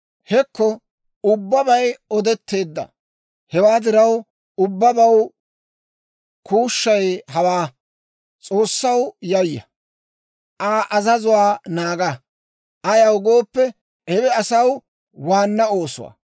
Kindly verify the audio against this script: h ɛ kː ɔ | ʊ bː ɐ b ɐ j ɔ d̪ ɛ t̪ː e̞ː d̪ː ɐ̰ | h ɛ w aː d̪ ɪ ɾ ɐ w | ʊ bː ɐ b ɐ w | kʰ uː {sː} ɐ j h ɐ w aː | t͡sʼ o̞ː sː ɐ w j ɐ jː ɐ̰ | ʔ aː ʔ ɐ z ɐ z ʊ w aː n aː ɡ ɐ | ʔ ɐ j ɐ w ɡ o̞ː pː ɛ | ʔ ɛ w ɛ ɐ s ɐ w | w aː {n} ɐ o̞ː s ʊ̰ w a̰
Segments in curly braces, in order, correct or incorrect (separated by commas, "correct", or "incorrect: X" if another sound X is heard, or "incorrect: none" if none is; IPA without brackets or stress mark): incorrect: ʃː, incorrect: nː